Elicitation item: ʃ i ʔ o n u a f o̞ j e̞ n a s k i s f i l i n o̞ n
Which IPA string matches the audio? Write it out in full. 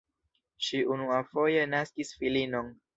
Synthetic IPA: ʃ i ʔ u n u a f o̞ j e̞ n a s k i s f i l i n o̞ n